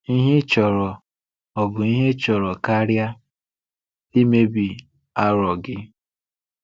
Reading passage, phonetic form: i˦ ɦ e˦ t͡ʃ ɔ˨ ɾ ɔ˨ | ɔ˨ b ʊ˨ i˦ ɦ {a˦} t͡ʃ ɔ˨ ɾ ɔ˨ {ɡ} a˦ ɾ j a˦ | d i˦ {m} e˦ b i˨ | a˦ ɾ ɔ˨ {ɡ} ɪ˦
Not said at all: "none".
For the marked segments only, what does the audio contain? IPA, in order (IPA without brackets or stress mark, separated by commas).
e˦, k, m, ɡ